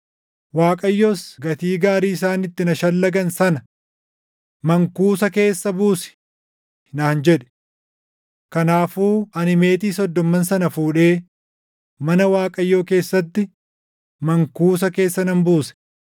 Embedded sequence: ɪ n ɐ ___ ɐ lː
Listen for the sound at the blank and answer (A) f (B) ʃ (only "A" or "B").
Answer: B